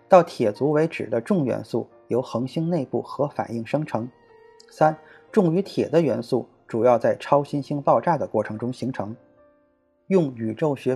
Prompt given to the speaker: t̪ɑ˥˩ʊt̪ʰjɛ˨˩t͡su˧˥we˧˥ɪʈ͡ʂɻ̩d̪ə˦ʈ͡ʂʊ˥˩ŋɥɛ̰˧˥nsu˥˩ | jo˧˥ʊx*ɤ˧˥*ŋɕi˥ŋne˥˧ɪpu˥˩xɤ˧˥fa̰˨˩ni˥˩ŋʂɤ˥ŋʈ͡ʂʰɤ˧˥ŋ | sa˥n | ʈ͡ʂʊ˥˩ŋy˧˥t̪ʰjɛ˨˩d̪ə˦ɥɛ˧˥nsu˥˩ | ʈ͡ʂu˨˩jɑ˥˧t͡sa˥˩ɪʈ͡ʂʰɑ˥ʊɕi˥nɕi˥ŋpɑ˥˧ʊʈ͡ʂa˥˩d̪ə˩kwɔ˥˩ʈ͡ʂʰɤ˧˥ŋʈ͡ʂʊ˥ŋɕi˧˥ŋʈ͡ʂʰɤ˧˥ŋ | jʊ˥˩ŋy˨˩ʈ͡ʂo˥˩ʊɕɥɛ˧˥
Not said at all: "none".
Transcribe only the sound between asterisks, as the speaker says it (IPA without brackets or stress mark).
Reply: ɤ˧˥